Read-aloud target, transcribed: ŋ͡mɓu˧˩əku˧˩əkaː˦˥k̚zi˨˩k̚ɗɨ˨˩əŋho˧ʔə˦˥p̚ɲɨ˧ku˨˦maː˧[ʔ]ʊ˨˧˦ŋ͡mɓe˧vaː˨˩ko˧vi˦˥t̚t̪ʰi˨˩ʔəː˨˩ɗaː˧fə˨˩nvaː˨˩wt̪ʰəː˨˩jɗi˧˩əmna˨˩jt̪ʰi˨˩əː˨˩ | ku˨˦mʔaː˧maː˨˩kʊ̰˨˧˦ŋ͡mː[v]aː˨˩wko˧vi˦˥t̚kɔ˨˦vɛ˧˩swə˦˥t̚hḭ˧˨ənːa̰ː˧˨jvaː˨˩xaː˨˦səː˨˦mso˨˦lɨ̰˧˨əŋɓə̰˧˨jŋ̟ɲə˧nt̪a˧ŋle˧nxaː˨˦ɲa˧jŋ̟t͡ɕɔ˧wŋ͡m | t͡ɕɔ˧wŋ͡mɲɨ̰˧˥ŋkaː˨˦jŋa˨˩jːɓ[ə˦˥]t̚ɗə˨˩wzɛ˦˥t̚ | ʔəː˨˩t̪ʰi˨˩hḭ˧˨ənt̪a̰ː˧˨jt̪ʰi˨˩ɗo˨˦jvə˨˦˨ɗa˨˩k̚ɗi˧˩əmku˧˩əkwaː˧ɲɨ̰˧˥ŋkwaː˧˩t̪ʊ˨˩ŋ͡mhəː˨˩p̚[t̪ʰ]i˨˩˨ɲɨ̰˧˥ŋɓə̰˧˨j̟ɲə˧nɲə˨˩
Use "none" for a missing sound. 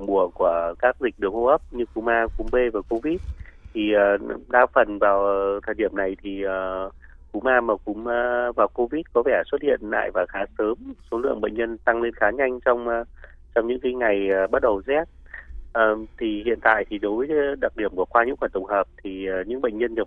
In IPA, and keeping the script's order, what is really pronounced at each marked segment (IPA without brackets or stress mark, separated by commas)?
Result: k, v, a˦˥, t̪ʰ